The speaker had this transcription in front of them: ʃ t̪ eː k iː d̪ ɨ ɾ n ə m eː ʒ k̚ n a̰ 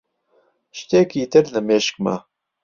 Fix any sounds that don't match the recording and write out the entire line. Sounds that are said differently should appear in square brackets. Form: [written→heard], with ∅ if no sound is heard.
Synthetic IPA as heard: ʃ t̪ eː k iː [d̪→t̪] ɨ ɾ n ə m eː [ʒ→ʃ] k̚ [n→m] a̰